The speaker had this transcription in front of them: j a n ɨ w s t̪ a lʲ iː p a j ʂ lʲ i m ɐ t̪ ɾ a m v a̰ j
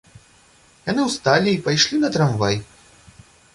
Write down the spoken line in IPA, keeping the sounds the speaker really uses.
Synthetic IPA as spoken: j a n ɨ w s t̪ a lʲ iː p a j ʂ lʲ i n ɐ t̪ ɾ a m v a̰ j

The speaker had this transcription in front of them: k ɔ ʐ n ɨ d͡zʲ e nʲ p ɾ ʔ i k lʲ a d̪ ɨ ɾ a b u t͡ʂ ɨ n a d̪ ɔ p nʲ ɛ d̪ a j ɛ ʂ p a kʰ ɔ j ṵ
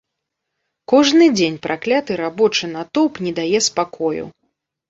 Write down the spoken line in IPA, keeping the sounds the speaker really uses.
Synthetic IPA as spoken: k ɔ ʐ n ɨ d͡zʲ e nʲ p ɾ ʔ a k lʲ a t̪ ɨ ɾ a b ɔ t͡ʂ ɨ n a t̪ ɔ p nʲ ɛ d̪ a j ɛ s p a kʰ ɔ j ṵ

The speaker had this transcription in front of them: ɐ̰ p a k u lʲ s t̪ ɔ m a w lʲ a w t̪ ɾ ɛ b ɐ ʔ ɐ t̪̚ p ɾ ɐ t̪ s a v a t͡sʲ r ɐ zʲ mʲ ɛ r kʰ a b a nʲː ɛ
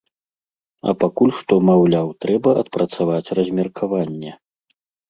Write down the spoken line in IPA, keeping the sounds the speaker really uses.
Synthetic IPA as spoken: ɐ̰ p a k u lʲ ʂ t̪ ɔ m a w lʲ a w t̪ ɾ ɛ b ɐ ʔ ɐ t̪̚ p ɾ ɐ t̪ s a v a t͡sʲ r ɐ zʲ mʲ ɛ r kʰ a v a nʲː ɛ

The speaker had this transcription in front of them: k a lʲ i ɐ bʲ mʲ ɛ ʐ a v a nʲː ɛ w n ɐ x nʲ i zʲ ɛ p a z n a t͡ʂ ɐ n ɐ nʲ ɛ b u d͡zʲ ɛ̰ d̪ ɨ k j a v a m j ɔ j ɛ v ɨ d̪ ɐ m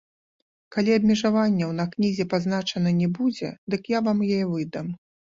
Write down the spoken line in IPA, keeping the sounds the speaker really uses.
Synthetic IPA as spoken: k a lʲ i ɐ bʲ mʲ ɛ ʐ a v a nʲː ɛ w n ɐ k nʲ i zʲ ɛ p a z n a t͡ʂ ɐ n ɐ nʲ ɛ b u d͡zʲ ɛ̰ d̪ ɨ k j a v a m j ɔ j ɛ v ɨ d̪ ɐ m

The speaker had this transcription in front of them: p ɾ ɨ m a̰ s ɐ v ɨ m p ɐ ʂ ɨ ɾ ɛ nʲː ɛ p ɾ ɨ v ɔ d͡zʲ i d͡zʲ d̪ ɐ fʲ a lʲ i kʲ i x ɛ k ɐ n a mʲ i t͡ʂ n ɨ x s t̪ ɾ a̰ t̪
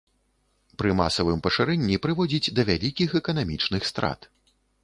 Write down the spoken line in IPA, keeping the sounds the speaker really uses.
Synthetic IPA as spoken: p ɾ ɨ m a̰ s ɐ v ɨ m p ɐ ʂ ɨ ɾ ɛ nʲː i p ɾ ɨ v ɔ d͡zʲ i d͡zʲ d̪ ɐ vʲ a lʲ i kʲ i x ɛ k ɐ n a mʲ i t͡ʂ n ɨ x s t̪ ɾ a̰ t̪

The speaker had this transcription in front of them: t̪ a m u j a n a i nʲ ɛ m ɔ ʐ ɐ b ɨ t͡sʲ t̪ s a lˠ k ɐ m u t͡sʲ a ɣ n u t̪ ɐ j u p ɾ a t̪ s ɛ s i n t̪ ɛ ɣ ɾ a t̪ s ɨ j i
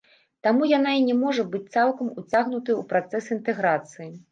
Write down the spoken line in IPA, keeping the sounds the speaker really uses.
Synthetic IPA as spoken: t̪ a m u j a n a i nʲ ɛ m ɔ ʐ ɐ b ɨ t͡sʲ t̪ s a lˠ k ɐ m u t͡sʲ a ɣ n u t̪ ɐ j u p ɾ a t̪ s ɛ s i n t̪ ɛ ɣ ɾ a t̪ s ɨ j i

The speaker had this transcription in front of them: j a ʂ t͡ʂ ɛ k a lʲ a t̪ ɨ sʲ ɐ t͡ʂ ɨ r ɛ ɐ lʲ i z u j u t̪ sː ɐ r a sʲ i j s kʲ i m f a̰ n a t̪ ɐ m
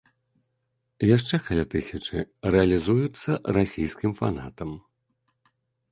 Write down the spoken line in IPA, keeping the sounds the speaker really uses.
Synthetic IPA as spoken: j a ʂ t͡ʂ ɛ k a lʲ a t̪ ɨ sʲ ɐ t͡ʂ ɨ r ɛ ɐ lʲ i z u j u t̪ sː ɐ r a sʲ i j s kʲ i m f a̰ n a t̪ ɐ m

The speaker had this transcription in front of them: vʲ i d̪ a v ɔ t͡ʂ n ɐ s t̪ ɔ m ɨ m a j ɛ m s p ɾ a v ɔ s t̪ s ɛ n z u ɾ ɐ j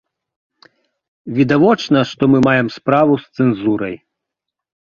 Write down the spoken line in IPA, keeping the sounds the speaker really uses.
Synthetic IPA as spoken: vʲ i d̪ a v ɔ t͡ʂ n ɐ ʂ t̪ ɔ m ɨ m a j ɛ m s p ɾ a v u s t̪ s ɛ n z u ɾ ɐ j

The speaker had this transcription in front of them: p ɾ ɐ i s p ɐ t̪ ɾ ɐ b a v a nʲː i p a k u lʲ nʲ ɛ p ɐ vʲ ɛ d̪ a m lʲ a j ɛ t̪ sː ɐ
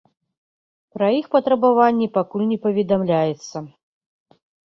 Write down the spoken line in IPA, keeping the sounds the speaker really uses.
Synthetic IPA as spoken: p ɾ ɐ i x p ɐ t̪ ɾ ɐ b a v a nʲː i p a k u lʲ nʲ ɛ p ɐ vʲ ɛ d̪ a m lʲ a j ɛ t̪ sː ɐ

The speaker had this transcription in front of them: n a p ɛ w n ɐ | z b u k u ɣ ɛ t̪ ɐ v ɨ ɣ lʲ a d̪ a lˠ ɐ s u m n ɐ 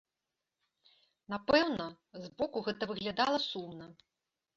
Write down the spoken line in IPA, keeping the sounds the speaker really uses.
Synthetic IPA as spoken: n a p ɛ w n ɐ | z b ɔ k u ɣ ɛ t̪ ɐ v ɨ ɣ lʲ a d̪ a lˠ ɐ s u m n ɐ

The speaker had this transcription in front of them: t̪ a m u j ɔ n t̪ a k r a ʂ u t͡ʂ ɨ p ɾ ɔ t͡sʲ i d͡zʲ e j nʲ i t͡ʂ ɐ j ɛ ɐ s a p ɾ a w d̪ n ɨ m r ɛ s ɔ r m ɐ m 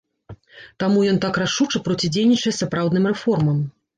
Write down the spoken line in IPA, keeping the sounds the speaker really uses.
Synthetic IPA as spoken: t̪ a m u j ɔ n t̪ a k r a ʂ u t͡ʂ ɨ p ɾ ɔ t͡sʲ i d͡zʲ e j nʲ i t͡ʂ ɐ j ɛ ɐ s a p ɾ a w d̪ n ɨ m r ɛ f ɔ r m ɐ m

